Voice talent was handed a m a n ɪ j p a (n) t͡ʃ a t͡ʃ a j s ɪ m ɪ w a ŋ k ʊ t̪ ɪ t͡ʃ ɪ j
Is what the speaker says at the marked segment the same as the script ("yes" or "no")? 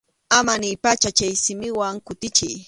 no